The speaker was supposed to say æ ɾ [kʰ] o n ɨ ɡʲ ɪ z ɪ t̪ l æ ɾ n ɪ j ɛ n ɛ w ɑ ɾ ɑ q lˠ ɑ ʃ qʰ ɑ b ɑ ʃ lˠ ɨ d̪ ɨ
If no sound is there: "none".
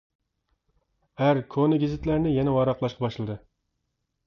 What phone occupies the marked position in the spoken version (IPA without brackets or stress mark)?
kʰ